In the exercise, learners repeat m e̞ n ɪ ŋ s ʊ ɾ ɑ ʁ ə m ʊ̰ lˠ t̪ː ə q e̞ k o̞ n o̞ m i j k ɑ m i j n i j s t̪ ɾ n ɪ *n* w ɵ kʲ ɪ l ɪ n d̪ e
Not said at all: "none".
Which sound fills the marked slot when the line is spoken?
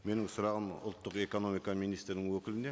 ŋ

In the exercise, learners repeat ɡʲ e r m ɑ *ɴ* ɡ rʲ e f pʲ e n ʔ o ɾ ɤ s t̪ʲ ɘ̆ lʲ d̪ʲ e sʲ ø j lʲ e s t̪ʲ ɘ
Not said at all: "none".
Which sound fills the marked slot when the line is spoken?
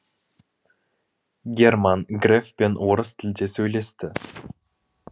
n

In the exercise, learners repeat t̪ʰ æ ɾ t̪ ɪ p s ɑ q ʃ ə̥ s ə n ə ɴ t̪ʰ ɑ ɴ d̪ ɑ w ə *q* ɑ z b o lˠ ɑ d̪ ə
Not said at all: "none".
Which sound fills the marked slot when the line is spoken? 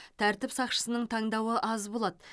ʔ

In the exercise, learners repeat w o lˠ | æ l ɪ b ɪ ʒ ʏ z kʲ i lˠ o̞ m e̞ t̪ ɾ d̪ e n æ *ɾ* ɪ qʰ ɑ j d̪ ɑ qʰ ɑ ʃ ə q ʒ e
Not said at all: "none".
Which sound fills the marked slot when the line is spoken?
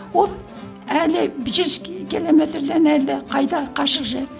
l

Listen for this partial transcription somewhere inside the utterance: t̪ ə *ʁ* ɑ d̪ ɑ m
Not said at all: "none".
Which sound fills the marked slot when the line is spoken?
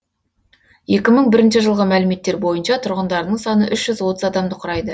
z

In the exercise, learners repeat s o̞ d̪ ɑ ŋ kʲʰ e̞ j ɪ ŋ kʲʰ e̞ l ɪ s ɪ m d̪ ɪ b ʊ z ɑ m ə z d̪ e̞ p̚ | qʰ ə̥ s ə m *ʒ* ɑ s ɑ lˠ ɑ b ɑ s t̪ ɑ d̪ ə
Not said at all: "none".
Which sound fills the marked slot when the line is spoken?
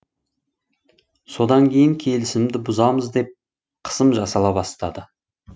ʒ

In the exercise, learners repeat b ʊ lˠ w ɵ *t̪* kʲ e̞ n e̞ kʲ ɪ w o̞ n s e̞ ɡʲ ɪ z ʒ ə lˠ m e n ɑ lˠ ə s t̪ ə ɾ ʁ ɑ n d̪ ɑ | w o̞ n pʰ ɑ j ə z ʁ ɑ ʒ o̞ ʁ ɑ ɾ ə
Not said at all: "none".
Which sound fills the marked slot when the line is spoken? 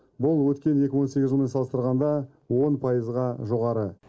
t̪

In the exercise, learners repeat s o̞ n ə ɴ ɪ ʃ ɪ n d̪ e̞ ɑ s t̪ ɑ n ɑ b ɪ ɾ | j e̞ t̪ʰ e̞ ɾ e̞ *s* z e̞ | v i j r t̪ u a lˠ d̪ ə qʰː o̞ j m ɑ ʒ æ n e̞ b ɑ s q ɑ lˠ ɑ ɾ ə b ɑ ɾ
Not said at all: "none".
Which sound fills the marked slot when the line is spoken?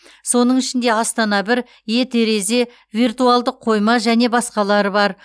none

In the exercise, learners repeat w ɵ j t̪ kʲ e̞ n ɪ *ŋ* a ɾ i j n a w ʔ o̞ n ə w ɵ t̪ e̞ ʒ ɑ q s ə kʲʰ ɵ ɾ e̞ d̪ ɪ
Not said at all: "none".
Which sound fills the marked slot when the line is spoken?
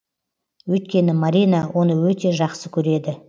m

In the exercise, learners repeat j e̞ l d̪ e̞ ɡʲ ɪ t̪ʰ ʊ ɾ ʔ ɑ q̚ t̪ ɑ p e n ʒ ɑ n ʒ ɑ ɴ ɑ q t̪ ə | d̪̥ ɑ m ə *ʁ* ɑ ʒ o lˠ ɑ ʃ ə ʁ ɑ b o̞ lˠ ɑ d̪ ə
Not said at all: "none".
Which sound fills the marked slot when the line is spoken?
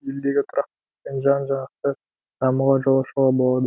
ʁ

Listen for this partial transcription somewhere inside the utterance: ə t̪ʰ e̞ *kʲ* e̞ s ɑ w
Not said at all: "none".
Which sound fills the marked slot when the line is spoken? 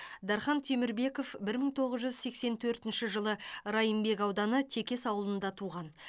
kʲ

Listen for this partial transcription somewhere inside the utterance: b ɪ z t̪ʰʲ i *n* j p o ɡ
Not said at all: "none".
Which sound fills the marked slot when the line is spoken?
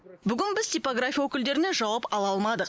none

